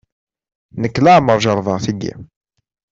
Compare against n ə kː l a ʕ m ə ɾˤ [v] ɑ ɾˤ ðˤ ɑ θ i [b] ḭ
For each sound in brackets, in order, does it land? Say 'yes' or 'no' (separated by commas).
no, no